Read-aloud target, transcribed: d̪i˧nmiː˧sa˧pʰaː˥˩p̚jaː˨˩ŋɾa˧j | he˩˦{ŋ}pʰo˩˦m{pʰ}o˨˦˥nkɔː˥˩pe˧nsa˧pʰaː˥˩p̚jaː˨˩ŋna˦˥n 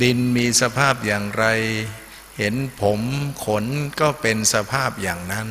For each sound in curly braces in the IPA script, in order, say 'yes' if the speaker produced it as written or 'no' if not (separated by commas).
no, no